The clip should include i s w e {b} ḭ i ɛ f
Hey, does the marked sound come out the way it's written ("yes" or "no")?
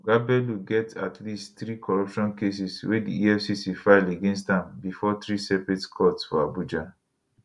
no